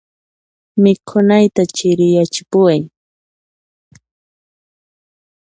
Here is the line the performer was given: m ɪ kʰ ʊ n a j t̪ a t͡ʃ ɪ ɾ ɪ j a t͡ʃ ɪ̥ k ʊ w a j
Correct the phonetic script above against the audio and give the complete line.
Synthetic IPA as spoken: m ɪ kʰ ʊ n a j t̪ a t͡ʃ ɪ ɾ ɪ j a t͡ʃ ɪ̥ p ʊ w a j

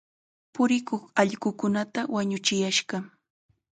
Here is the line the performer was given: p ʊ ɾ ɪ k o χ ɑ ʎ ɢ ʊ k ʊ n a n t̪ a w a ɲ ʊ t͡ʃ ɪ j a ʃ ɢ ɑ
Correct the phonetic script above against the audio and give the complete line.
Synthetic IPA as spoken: p ʊ ɾ ɪ k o χ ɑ ʎ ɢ ʊ k ʊ n a t̪ a w a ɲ ʊ t͡ʃ ɪ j a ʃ ɢ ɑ

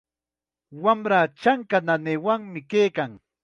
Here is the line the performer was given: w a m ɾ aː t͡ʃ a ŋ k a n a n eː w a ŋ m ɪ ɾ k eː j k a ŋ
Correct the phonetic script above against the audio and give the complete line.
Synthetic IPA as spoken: w a m ɾ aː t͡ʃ a ŋ k a n a n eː w a ŋ m ɪ k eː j k a ŋ

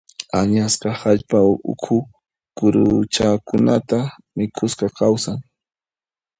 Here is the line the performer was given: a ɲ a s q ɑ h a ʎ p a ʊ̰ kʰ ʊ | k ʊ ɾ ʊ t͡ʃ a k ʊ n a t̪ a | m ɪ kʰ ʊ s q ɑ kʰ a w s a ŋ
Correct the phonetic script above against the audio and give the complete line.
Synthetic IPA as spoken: a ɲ a s q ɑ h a ʎ p a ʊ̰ kʰ ʊ | k ʊ ɾ ʊ t͡ʃ a k ʊ n a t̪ a | m ɪ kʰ ʊ s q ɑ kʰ a w s a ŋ

